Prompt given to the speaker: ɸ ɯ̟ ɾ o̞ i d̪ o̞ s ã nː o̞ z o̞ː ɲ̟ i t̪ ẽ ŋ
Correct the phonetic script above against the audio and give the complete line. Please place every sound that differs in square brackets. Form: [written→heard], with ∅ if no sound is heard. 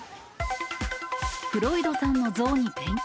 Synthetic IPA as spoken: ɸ ɯ̟ ɾ o̞ i d̪ o̞ s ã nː o̞ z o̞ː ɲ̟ i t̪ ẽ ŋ